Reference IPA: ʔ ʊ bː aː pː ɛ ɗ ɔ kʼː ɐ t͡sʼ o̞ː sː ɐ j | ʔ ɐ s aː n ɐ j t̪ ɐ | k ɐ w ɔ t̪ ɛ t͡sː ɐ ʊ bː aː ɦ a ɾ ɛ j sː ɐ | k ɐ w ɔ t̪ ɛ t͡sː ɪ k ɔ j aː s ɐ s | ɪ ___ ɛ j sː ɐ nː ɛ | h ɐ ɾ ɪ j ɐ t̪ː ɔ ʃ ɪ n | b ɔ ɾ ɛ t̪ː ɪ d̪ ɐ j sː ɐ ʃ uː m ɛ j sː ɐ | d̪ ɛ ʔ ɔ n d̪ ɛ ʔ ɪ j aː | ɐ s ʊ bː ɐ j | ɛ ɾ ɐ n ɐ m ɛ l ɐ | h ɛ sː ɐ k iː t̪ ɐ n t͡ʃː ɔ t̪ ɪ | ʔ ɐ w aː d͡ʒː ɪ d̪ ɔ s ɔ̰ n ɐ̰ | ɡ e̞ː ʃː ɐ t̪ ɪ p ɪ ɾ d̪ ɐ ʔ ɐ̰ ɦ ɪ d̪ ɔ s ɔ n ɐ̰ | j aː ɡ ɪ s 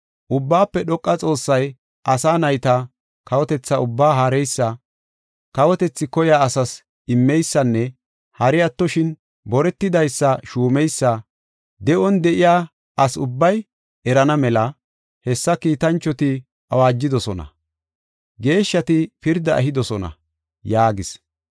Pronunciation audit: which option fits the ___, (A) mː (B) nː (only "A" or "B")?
A